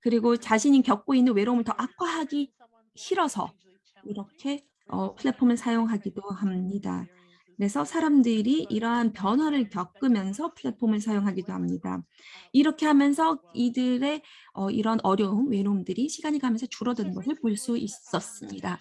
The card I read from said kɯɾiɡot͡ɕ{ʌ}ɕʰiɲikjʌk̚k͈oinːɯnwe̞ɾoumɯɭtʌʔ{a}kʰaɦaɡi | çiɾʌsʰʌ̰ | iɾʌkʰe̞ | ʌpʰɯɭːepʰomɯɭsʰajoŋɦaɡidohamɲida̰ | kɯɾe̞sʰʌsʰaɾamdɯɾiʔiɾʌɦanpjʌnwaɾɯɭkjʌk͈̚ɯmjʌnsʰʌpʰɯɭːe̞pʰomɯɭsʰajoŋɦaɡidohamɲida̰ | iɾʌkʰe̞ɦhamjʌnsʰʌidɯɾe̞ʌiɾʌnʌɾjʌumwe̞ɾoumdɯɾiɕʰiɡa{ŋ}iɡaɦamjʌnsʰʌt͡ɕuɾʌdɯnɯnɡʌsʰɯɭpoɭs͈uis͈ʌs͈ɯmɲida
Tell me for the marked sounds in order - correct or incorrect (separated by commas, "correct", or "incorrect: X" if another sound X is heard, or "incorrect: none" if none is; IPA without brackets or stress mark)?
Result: incorrect: a, correct, incorrect: ɲ